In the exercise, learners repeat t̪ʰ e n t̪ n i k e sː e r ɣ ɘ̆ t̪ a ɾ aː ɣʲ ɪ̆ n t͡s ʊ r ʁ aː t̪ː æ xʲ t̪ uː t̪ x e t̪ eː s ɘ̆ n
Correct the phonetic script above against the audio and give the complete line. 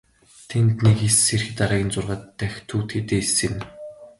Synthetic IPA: t̪ʰ e n t̪ n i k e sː e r x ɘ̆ t̪ a ɾ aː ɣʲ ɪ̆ n t͡s ʊ r ʁ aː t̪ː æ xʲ t̪ʰ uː t̪ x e t̪ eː s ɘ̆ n